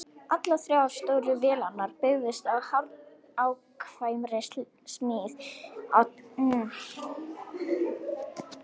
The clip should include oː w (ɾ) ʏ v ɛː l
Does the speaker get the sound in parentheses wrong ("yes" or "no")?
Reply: no